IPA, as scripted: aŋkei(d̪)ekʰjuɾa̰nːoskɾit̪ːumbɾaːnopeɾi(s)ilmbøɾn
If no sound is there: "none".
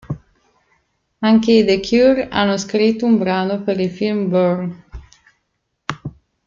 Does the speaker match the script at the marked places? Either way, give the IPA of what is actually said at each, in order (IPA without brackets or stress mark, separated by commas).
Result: d̪, f